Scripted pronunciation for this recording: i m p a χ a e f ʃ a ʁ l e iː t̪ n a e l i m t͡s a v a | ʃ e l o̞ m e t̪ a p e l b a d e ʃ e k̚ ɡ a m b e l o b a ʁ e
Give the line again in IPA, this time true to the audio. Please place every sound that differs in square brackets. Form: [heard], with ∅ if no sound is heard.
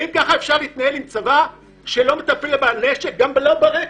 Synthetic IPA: i m [k] a χ a e f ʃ a ʁ l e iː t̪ n a e l i m t͡s a v a | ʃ e l o̞ m e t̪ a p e l b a [n] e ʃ e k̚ ɡ a m b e l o b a ʁ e

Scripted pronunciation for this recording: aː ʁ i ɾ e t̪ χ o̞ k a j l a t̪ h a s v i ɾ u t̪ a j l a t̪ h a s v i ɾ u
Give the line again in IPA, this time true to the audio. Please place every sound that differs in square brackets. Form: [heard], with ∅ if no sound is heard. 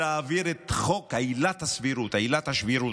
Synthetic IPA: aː [v] i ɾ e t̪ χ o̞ k a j l a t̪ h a s v i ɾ u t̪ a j l a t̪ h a [ʃ] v i ɾ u

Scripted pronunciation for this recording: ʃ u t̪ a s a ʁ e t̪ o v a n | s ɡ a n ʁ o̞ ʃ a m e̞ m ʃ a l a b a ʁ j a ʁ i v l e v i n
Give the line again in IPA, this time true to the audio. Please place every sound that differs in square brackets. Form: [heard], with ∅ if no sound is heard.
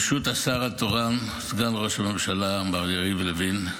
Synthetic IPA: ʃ u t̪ a s a ʁ [a] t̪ o [ʁ] a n | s ɡ a n ʁ o̞ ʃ a m e̞ m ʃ a l a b a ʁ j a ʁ i v l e v i n

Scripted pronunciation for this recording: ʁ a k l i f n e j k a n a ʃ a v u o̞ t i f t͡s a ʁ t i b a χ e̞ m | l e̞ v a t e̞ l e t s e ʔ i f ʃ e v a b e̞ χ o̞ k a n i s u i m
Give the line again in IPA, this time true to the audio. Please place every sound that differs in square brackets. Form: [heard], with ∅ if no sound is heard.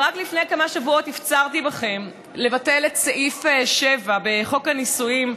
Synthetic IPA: ʁ a k l i f n e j k a [m] a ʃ a v u o̞ t i f t͡s a ʁ t i b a χ e̞ m | l e̞ v a t e̞ l e t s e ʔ i f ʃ e v a b e̞ χ o̞ k a n i s u i m

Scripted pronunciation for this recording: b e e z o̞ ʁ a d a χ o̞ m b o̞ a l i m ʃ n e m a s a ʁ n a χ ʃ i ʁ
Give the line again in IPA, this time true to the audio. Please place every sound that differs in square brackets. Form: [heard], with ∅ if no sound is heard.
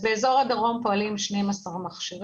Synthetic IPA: b e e z o̞ ʁ a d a [ʁ] o̞ m [p] o̞ a l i m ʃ n e m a s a ʁ [m] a χ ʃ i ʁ

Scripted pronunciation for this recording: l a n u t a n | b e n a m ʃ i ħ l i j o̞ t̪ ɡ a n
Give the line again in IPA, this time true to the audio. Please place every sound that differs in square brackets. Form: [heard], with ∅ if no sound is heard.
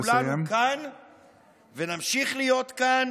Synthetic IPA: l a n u [k] a n | [v] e n a m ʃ i [χ] l i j o̞ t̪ [k] a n

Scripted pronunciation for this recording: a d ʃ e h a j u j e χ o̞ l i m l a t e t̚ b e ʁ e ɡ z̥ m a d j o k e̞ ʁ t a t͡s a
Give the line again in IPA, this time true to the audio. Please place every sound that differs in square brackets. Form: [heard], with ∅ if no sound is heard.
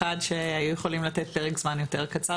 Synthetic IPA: a d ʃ e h a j u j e χ o̞ l i m l a t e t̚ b e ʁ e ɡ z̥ m a [n] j o [t] e̞ ʁ [k] a t͡s a

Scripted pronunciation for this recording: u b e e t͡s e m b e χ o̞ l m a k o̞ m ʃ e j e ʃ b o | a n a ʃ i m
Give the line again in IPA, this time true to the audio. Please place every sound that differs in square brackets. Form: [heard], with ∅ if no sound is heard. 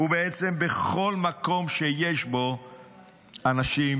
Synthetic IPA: u b e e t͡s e m b e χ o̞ l m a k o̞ m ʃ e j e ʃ b o | a n a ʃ i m

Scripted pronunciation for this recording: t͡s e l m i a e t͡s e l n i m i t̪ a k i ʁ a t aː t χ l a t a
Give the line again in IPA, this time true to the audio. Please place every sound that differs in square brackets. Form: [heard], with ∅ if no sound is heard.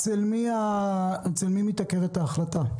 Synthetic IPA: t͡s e l m i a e t͡s e l [m] i m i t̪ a k [e] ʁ [e] t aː [∅] χ l a t a

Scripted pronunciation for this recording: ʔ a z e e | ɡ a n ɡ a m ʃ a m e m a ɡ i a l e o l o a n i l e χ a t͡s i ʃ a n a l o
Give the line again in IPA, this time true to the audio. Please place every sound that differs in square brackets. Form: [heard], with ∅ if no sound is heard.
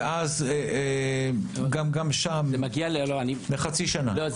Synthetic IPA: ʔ a z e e | ɡ a [m] ɡ a m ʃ a m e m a ɡ i a l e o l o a n i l e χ a t͡s i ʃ a n a l o

